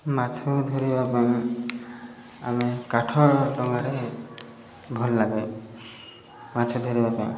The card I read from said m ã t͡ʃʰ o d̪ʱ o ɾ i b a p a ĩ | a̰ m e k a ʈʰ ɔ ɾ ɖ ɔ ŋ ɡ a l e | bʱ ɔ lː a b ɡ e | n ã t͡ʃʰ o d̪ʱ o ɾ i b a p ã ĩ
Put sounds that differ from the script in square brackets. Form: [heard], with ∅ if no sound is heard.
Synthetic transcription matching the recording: m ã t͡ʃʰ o d̪ʱ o ɾ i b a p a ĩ | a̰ m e k a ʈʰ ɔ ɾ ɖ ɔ ŋ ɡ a [ɾ] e | bʱ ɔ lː a [∅] ɡ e | [m] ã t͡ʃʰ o d̪ʱ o ɾ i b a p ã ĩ